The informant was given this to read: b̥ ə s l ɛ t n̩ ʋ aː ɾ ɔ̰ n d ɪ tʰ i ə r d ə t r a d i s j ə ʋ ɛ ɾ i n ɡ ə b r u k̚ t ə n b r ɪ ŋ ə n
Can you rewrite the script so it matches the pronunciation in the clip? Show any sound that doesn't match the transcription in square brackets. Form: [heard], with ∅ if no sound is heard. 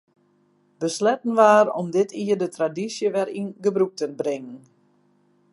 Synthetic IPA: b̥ ə s l ɛ t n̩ ʋ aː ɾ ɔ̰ [m] d ɪ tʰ i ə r d ə t r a d i s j ə ʋ ɛ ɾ i n ɡ ə b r u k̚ t ə n b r ɪ ŋ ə n